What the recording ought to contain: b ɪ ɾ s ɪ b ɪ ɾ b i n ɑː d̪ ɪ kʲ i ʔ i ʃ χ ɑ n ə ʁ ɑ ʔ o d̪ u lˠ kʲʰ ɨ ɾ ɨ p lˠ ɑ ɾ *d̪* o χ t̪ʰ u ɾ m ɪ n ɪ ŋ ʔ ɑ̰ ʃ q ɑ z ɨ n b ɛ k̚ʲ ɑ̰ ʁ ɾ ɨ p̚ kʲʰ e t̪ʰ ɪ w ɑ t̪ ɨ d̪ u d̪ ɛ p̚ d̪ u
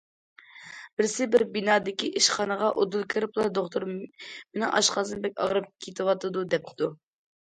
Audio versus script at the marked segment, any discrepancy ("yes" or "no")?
no